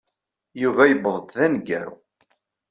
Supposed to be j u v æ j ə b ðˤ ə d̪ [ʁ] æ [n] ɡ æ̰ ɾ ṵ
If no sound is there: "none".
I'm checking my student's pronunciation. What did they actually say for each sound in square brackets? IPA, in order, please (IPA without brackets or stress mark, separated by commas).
ð, n